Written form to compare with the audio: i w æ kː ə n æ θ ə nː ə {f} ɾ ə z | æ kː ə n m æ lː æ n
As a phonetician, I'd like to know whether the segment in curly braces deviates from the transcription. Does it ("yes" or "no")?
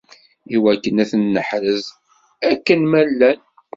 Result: yes